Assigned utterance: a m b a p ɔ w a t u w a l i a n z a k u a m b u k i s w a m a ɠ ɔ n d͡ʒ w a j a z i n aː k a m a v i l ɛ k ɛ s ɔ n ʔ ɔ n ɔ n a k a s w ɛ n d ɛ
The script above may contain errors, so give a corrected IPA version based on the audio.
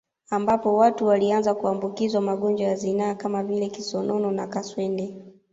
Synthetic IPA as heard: a m b a p ɔ w a t u w a l i a n z a k u a m b u k i z w a m a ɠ ɔ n d͡ʒ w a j a z i n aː k a m a v i l ɛ k i s ɔ n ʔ ɔ n ɔ n a k a s w ɛ n d ɛ